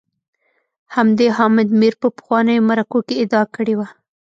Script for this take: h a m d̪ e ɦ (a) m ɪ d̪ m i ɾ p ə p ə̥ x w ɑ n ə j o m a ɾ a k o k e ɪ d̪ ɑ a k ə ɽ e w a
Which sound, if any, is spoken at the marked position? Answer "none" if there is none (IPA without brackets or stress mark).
ɑ